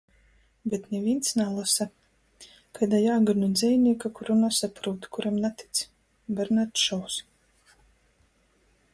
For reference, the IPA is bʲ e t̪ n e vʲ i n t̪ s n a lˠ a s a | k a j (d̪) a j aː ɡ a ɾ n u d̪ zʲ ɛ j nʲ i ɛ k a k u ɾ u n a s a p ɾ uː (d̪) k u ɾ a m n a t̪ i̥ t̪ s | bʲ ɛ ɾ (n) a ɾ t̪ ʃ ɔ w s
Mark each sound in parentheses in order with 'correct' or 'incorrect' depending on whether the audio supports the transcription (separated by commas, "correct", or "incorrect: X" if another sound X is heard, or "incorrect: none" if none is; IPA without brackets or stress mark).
correct, incorrect: t̪, correct